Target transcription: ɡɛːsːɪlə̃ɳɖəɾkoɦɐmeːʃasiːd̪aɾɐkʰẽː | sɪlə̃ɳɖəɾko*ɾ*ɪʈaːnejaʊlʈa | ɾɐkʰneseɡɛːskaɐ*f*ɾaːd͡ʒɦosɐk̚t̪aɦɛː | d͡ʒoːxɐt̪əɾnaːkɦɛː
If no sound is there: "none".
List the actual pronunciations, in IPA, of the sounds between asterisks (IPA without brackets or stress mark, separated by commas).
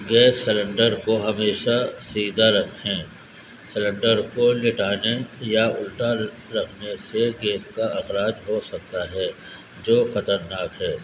l, x